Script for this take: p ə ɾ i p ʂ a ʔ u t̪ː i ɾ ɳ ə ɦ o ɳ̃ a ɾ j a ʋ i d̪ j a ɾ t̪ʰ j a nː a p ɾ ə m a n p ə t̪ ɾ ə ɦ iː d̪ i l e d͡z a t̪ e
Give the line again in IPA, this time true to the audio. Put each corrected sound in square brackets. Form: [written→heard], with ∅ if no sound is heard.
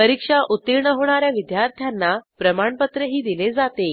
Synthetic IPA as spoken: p ə ɾ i [p→k] ʂ a ʔ u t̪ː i ɾ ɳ ə ɦ o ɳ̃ a ɾ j a ʋ i d̪ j a ɾ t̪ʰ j a nː a p ɾ ə m a [n→ɳ] p ə t̪ ɾ ə ɦ iː d̪ i l e d͡z a t̪ e